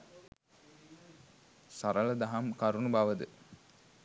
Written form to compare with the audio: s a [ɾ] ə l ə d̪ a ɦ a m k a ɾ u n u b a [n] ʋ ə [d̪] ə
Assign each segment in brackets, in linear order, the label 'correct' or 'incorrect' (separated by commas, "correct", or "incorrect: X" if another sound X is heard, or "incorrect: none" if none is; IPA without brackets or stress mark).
correct, incorrect: none, correct